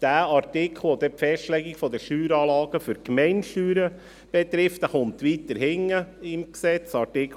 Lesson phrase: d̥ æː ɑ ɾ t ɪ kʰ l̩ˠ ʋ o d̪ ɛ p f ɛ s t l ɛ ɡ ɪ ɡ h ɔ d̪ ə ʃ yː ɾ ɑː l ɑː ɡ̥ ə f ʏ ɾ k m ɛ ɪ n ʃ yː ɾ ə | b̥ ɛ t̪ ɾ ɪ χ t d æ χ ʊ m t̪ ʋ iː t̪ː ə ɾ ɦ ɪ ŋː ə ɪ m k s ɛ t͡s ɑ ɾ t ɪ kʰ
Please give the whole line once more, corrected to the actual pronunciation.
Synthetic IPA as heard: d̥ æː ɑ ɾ t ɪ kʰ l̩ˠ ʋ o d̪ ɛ p f ɛ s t l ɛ ɡ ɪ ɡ f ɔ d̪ ə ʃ yː ɾ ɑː l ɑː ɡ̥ ə f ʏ ɾ k m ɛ ɪ n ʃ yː ɾ ə | b̥ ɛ t̪ ɾ ɪ f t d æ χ ʊ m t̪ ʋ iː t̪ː ə ɾ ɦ ɪ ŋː ə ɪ m k s ɛ t͡s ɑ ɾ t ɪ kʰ